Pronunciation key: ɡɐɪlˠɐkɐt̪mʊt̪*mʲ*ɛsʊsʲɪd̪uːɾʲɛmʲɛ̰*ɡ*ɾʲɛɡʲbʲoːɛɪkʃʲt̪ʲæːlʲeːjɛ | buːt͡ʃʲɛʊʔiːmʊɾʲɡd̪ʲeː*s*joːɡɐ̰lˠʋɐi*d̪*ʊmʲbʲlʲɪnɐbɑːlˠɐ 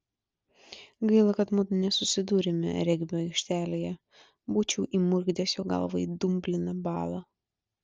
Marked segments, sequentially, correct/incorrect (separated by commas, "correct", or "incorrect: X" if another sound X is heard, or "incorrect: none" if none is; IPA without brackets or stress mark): incorrect: nʲ, incorrect: none, correct, correct